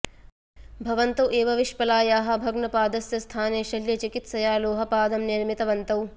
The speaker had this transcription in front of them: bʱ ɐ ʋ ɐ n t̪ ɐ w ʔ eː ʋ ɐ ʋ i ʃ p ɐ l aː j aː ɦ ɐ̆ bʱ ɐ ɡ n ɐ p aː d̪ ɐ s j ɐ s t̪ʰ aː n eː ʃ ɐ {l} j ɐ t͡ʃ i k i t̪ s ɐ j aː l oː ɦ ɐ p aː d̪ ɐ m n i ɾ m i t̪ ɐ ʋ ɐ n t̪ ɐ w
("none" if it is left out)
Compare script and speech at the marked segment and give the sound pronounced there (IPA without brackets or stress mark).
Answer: l